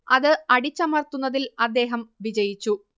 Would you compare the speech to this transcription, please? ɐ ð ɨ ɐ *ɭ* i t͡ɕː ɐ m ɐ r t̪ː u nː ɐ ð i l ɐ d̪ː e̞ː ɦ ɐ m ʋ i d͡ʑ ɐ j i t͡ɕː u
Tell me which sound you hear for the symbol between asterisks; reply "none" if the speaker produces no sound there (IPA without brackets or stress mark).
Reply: ɽ